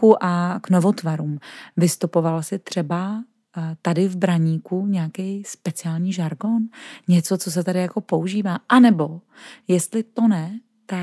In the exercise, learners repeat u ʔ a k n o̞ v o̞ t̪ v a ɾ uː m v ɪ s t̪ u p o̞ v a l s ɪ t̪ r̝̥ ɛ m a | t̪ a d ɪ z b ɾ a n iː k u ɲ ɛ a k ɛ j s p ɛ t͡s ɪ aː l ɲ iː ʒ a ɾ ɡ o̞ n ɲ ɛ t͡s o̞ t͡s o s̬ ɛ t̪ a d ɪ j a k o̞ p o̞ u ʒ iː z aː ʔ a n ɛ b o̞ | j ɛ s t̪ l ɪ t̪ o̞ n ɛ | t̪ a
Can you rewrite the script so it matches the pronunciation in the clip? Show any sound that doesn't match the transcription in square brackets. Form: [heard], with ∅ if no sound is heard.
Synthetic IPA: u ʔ a k n o̞ v o̞ t̪ v a ɾ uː m v ɪ s t̪ u p o̞ v a l s ɪ t̪ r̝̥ ɛ [b] a | t̪ a d ɪ [v] b ɾ a [ɲ] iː k u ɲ ɛ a k ɛ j s p ɛ t͡s ɪ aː l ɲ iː ʒ a ɾ ɡ o̞ n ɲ ɛ t͡s o̞ t͡s o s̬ ɛ t̪ a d ɪ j a k o̞ p o̞ u ʒ iː [v] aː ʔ a n ɛ b o̞ | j ɛ s t̪ l ɪ t̪ o̞ n ɛ | t̪ a